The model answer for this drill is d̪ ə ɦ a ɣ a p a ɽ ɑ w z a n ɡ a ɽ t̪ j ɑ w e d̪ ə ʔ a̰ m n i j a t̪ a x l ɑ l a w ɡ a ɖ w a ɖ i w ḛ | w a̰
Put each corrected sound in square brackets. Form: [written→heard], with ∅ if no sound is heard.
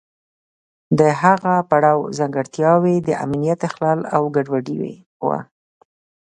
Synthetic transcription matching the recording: d̪ ə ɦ a ɣ a p a ɽ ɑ w z a [n→ŋ] ɡ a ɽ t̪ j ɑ w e d̪ ə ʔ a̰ m n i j a t̪ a x l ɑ l a w ɡ a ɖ w a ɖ i w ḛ | w a̰